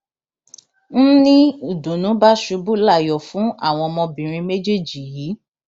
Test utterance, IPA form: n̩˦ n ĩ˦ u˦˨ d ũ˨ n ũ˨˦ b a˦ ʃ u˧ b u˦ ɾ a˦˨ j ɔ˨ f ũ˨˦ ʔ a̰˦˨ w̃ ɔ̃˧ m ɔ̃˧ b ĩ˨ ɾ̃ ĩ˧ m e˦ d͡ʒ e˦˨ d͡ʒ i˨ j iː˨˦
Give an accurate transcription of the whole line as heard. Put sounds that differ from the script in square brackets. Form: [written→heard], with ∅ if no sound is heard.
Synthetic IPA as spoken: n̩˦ n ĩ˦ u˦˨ d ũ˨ n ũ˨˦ b a˦ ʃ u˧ b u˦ [ɾ→l] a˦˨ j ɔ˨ f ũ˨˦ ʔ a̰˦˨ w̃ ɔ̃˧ m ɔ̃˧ b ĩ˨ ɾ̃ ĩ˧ m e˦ d͡ʒ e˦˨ d͡ʒ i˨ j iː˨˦

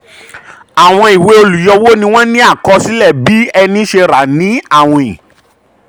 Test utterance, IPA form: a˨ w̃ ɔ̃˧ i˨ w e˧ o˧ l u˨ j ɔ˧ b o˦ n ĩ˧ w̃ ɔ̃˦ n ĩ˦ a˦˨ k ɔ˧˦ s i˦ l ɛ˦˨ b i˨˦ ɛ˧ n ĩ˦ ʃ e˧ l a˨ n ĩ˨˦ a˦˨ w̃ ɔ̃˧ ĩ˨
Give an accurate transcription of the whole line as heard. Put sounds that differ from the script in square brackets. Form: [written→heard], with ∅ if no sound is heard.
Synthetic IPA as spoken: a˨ w̃ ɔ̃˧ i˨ w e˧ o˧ l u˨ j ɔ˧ [b→w] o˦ n ĩ˧ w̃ ɔ̃˦ n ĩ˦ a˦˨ k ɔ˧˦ s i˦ l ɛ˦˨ b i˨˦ ɛ˧ n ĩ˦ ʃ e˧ [l→ɾ] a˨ n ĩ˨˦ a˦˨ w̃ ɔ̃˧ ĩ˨

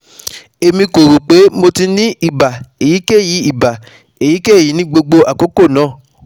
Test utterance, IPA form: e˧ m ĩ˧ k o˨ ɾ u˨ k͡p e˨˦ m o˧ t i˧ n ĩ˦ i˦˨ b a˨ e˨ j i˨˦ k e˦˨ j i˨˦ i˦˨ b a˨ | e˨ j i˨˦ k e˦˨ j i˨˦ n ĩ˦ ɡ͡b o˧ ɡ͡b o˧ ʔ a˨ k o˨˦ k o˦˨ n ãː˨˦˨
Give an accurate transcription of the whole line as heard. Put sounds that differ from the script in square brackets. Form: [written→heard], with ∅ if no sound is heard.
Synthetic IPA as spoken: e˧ m ĩ˧ k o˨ ɾ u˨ k͡p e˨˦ m o˧ t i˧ n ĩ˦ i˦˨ b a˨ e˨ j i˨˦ k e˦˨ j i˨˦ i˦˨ b a˨ | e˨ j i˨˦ k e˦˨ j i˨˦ n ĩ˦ ɡ͡b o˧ ɡ͡b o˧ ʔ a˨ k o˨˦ k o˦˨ n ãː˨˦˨

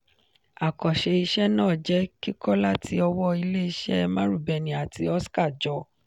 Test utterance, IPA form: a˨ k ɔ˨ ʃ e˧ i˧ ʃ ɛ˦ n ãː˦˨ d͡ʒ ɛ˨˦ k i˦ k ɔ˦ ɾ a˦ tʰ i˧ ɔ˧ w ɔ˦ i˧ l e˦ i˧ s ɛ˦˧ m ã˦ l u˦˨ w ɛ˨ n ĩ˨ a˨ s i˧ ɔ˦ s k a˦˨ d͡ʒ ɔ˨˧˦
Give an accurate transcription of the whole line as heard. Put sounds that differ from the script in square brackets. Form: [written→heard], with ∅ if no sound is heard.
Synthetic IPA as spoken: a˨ k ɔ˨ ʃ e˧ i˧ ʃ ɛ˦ n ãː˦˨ d͡ʒ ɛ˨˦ k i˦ k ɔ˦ [ɾ→l] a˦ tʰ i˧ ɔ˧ w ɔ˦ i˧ l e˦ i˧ [s→ʃ] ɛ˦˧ m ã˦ [l→ɾ] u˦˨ [w→b] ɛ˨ n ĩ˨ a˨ [s→t] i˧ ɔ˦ s k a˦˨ d͡ʒ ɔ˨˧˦

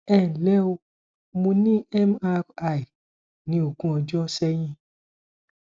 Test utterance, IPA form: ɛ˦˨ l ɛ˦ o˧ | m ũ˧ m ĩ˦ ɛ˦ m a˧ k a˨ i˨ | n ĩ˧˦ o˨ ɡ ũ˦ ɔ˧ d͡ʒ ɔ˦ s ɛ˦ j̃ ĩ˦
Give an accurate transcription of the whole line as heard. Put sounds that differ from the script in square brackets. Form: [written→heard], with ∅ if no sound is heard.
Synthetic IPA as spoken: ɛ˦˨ l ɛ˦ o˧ | m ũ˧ [m→n] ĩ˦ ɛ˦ m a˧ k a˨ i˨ | n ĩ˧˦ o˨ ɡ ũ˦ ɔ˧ d͡ʒ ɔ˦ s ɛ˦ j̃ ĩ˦

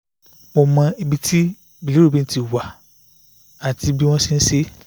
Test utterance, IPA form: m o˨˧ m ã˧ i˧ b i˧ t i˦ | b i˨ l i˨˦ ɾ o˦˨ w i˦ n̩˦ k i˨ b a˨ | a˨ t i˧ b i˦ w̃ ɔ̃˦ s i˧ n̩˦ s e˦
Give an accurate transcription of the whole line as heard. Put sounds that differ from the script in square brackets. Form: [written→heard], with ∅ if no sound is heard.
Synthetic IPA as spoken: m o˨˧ m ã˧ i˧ b i˧ t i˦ | b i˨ l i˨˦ ɾ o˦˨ [w→b] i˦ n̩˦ [k→t] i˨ [b→w] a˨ | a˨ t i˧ b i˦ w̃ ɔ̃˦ s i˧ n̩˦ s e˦

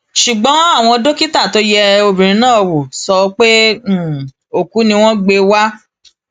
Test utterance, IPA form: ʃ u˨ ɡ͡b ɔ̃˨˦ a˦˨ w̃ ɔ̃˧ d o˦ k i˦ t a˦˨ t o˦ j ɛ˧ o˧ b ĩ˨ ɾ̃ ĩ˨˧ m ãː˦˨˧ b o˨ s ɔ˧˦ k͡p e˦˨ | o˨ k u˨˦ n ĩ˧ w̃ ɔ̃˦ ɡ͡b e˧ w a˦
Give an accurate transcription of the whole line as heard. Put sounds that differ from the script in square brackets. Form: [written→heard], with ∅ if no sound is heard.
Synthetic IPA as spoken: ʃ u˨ ɡ͡b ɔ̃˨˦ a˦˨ w̃ ɔ̃˧ d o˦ k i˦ t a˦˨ t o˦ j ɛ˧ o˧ b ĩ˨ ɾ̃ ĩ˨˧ [m→n] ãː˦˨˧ [b→w] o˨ s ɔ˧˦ k͡p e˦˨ | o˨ k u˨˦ n ĩ˧ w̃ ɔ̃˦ ɡ͡b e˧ w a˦

